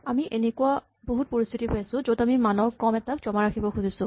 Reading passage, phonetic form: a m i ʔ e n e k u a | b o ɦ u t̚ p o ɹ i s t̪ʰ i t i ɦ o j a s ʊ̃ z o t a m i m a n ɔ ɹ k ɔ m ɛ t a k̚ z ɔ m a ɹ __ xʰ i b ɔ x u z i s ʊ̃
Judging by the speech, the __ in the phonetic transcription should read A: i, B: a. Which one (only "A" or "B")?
B